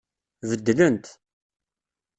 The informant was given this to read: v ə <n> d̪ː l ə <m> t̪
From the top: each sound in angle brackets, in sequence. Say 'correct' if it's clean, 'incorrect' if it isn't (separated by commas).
incorrect, incorrect